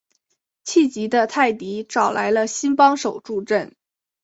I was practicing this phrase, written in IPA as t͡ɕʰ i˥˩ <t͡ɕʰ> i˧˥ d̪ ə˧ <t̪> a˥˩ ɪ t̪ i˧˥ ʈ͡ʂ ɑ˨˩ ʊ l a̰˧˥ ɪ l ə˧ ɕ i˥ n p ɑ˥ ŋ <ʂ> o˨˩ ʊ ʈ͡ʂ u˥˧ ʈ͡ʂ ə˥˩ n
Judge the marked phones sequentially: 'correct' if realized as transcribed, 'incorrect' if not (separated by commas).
incorrect, incorrect, correct